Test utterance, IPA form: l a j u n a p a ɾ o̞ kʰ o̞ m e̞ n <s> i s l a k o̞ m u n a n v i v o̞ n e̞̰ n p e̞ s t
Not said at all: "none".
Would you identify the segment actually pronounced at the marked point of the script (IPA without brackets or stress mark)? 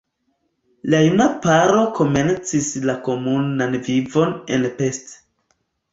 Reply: t͡s